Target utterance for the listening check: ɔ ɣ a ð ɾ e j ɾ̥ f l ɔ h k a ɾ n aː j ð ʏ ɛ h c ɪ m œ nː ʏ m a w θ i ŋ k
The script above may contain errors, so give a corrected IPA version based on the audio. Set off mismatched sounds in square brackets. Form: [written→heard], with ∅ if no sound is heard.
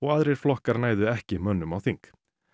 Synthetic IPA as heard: ɔ ɣ a ð ɾ e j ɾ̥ f l ɔ h k a ɾ n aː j ð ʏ ɛ h c ɪ m œ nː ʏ m a w θ i ŋ k